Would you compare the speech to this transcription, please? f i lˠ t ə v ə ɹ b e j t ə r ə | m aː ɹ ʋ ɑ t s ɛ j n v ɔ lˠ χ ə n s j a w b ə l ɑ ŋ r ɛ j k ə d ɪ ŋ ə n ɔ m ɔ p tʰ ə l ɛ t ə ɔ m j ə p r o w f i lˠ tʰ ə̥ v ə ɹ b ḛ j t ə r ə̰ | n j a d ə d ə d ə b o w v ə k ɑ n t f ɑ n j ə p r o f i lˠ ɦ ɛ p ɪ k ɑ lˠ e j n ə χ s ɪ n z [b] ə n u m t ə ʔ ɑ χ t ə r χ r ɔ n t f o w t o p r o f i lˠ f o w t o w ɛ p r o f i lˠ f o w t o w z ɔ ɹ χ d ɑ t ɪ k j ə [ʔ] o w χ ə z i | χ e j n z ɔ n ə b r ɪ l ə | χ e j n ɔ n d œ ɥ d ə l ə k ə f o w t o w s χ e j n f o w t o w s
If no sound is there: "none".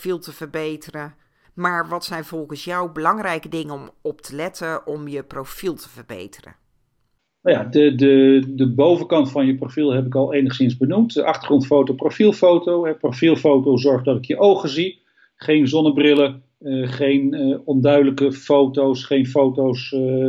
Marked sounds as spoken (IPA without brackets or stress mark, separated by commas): b, ʔ